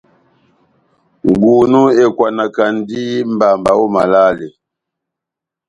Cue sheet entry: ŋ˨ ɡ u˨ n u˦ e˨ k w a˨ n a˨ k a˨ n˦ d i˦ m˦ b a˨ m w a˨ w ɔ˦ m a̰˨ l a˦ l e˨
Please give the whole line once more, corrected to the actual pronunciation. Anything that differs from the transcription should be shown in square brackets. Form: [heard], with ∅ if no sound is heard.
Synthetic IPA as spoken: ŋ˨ ɡ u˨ n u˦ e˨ k w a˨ n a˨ k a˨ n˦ d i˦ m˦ b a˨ m [b] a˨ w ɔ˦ m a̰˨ l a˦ l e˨